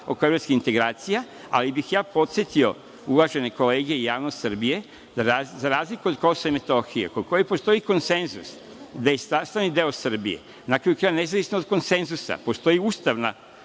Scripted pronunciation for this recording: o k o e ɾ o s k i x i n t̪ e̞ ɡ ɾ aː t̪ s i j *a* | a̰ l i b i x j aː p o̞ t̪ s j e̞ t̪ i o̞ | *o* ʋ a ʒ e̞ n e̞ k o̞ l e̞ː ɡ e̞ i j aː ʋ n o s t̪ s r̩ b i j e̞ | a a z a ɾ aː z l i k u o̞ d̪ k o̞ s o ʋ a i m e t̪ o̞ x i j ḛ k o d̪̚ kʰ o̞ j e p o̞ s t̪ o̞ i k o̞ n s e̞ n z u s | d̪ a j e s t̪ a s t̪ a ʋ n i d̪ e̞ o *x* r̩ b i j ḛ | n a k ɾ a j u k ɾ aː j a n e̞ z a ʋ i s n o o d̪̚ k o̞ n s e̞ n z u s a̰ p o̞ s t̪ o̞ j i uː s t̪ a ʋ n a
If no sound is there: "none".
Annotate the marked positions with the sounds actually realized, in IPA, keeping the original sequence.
a, u, s

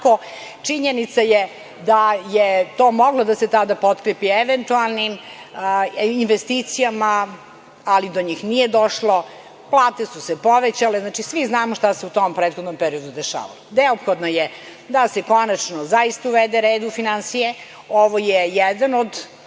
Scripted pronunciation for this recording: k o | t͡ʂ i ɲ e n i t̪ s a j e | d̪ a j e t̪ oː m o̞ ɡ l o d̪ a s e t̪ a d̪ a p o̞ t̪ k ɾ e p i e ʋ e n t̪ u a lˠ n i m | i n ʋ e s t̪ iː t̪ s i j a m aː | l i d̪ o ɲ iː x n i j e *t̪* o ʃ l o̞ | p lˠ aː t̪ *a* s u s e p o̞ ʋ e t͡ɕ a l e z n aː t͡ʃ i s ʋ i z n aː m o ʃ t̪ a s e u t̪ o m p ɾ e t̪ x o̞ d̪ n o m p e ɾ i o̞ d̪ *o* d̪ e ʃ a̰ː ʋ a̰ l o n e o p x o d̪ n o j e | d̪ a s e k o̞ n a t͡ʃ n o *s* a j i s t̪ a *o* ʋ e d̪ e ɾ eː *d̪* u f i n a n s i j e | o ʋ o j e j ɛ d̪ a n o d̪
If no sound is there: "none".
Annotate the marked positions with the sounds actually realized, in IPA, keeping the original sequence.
d̪, e, u, z, u, d̪

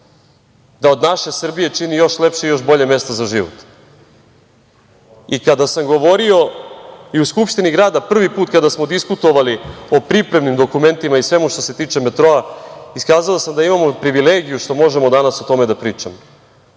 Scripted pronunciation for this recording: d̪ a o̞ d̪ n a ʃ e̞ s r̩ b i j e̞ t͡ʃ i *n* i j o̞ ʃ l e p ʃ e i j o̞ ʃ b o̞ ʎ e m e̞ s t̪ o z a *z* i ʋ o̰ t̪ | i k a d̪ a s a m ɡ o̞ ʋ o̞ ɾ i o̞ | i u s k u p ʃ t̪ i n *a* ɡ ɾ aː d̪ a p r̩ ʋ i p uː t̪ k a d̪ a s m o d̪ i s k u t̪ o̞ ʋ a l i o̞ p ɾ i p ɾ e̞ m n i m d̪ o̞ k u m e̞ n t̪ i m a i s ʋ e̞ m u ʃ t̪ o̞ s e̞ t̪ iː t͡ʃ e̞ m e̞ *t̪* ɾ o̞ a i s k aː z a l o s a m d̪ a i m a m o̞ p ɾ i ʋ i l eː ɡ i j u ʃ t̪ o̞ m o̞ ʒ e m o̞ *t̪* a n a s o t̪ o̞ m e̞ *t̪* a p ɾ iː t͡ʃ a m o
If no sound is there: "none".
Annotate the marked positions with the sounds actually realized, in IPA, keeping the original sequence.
n, ʒ, i, t̪, d̪, d̪

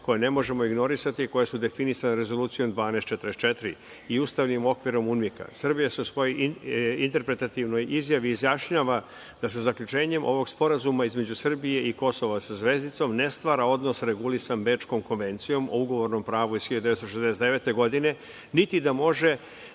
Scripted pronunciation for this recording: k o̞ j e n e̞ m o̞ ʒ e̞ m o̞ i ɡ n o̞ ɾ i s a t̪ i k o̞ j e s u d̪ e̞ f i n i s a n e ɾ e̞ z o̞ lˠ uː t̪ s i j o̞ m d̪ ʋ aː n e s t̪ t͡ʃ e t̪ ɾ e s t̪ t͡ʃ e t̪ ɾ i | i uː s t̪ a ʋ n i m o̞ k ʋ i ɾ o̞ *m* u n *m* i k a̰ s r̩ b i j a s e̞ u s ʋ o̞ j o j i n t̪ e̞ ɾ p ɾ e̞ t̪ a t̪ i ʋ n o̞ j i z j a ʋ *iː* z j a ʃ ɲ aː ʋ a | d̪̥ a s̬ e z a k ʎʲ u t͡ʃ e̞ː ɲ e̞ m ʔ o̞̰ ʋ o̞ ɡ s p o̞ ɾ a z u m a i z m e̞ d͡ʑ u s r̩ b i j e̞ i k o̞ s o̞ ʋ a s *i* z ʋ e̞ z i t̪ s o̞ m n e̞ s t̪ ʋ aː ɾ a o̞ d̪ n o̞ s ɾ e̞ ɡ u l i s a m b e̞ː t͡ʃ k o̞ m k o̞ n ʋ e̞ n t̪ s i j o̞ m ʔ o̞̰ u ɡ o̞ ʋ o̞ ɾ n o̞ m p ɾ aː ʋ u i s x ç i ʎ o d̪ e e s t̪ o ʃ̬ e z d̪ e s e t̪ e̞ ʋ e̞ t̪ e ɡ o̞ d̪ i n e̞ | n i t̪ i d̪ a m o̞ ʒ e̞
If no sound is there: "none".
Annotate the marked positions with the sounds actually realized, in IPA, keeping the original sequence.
m, m, iː, a

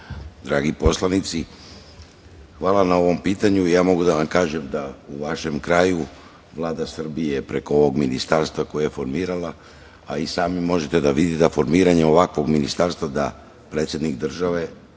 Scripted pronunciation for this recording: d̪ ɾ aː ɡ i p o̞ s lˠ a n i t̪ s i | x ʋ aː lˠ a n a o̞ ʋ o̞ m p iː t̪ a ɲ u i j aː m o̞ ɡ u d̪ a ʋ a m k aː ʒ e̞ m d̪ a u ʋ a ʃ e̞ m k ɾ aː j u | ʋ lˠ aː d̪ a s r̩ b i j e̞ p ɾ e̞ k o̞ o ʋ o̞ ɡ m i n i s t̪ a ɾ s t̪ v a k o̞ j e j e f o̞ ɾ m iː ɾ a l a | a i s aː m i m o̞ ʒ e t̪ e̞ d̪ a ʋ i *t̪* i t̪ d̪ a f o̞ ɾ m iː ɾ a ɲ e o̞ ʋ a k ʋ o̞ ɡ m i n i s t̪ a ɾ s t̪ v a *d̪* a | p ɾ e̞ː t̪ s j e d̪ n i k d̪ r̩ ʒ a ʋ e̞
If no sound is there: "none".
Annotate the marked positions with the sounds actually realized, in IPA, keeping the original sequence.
d̪, d̪

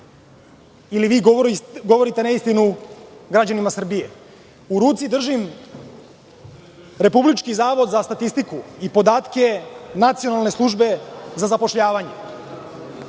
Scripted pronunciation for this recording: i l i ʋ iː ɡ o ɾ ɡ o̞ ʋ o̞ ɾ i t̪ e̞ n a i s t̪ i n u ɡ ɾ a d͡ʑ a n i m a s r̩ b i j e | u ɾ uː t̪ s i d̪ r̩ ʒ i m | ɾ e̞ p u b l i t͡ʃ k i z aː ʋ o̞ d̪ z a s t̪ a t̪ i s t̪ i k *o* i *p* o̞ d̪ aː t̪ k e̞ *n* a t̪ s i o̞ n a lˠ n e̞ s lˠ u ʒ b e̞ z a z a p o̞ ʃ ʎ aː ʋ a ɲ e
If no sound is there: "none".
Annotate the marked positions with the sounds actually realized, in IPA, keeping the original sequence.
u, p, n

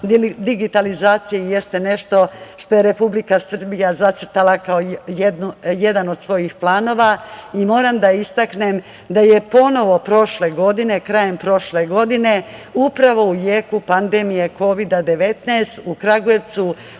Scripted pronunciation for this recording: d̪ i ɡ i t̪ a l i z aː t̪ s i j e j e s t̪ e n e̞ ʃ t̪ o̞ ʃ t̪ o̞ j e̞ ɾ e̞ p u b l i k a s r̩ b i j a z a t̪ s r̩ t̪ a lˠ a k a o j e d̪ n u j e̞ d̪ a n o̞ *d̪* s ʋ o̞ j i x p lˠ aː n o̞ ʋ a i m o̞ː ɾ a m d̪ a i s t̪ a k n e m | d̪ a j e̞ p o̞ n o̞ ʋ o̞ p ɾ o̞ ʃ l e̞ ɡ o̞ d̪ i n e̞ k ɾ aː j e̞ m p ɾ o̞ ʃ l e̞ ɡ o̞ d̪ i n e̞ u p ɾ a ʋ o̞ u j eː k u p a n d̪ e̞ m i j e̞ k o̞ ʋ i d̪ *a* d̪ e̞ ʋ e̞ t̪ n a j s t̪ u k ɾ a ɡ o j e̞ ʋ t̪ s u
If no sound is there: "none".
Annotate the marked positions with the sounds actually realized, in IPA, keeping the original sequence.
d̪, a

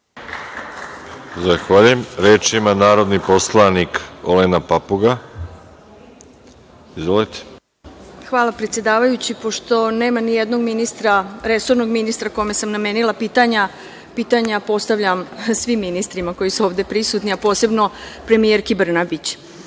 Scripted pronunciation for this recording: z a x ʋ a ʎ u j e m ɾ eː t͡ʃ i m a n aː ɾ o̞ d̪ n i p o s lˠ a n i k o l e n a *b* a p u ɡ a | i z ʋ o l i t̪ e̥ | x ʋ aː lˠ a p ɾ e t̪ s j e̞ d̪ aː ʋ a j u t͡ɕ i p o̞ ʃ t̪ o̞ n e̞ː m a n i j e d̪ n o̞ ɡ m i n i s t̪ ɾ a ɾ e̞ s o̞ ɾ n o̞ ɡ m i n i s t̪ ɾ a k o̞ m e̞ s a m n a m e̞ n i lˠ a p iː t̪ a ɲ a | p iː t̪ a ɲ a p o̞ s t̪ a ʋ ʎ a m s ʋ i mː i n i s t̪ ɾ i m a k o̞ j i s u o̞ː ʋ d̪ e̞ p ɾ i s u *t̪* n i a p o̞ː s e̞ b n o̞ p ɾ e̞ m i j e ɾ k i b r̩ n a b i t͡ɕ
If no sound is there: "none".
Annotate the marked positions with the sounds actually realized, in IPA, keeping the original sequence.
p, t̪

